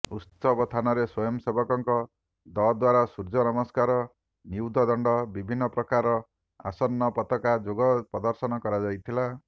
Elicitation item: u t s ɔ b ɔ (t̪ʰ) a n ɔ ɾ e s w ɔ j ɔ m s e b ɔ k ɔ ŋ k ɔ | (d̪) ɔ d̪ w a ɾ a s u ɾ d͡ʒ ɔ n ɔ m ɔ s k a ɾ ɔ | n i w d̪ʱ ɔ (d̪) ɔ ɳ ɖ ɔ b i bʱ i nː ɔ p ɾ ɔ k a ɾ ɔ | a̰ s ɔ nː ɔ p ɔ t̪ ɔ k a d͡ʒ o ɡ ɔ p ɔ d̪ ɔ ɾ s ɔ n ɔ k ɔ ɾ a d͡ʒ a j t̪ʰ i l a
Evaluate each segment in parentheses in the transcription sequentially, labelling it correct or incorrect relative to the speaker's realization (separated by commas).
correct, correct, correct